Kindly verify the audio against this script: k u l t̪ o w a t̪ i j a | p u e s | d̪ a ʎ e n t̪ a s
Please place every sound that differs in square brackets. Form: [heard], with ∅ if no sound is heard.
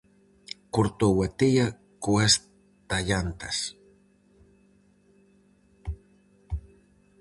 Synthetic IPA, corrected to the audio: k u [ɾ] t̪ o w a t̪ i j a | [k] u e s | [t̪] a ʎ [a] n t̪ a s